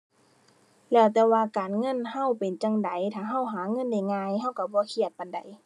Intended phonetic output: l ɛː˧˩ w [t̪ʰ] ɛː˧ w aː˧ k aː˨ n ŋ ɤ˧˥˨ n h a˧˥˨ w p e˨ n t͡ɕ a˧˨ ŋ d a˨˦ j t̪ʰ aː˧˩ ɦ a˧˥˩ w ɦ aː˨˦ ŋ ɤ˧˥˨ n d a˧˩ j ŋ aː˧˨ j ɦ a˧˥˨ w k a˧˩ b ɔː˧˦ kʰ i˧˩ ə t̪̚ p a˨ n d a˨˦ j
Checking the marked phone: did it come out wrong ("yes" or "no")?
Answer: yes